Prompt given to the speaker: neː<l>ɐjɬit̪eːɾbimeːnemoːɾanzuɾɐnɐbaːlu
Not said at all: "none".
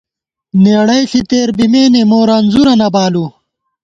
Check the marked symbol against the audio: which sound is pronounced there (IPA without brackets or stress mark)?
ɽ